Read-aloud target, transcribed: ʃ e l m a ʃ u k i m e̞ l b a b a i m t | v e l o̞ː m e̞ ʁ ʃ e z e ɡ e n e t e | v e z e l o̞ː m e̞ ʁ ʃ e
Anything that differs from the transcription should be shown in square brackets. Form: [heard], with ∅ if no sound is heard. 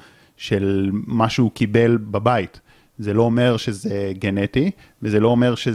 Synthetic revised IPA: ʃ e l m a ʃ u k i [b] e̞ l b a b a i [∅] t | [z] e l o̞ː m e̞ ʁ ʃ e z e ɡ e n e t [i] | v e z e l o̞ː m e̞ ʁ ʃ e